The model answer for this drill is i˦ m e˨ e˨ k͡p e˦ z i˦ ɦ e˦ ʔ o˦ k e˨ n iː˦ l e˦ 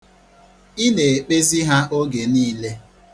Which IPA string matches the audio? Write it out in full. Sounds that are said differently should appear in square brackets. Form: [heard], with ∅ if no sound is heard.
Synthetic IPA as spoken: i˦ [n] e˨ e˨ k͡p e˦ z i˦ ɦ [a˦] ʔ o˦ [ɡ] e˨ n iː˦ l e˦